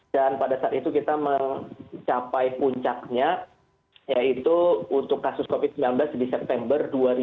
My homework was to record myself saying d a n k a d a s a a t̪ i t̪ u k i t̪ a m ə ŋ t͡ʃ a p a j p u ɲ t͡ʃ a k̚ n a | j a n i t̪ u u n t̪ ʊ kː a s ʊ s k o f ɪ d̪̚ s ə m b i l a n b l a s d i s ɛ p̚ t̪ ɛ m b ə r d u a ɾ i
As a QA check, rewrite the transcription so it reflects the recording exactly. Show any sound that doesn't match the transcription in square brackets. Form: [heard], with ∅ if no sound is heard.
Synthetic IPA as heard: d a n [p] a d a s a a t̪ i t̪ u k i t̪ a m ə ŋ t͡ʃ a p a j p u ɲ t͡ʃ a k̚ [ɲ] a | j a [∅] i t̪ u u n t̪ ʊ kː a s ʊ s k o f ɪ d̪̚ s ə m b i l a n b l a s d i s ɛ p̚ t̪ ɛ m b ə r d u a ɾ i